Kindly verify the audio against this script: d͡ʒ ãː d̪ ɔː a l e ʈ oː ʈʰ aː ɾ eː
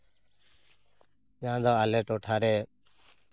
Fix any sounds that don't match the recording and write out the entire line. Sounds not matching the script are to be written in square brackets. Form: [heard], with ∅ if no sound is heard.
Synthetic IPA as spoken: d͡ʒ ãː d̪ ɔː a l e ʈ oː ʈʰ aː ɾ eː